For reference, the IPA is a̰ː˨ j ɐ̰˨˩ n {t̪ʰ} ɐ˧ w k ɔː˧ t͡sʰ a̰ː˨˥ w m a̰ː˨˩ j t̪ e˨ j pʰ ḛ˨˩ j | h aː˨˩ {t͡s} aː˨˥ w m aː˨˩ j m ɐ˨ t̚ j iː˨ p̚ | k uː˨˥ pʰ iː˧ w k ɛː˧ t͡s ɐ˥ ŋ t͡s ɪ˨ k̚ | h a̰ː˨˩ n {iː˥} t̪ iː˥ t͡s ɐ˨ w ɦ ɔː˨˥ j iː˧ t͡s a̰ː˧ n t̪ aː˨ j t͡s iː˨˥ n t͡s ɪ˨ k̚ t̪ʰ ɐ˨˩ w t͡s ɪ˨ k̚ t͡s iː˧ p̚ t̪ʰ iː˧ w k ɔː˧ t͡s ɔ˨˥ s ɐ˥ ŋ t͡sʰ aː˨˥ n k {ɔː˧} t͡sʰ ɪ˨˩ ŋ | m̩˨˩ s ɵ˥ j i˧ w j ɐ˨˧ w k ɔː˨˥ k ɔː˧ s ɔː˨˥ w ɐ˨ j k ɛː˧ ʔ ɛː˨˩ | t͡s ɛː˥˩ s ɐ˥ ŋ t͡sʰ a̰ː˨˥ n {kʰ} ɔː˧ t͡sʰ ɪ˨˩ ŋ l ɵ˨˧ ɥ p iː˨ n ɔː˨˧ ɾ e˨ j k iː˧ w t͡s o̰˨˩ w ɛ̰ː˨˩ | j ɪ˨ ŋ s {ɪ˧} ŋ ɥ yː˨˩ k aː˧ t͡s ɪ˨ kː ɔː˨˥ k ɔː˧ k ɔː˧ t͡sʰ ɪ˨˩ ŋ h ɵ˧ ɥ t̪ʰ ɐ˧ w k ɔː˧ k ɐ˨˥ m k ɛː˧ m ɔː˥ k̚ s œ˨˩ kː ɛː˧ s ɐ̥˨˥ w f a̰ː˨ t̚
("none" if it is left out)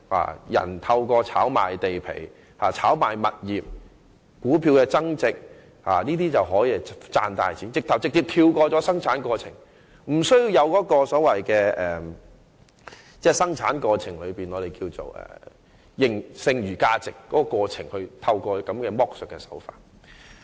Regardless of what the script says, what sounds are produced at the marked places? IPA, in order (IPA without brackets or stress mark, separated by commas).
t̪ʰ, t͡sʰ, iː˥, ɔː˧, k, ɪ˧